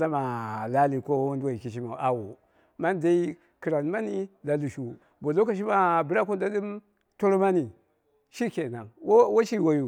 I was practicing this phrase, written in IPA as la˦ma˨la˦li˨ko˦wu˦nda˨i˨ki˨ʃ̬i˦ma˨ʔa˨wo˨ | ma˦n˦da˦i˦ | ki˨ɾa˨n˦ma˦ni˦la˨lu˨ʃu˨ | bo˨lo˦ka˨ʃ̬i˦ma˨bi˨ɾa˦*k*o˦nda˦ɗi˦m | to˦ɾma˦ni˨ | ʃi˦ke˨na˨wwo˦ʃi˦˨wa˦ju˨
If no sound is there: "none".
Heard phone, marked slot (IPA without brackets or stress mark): k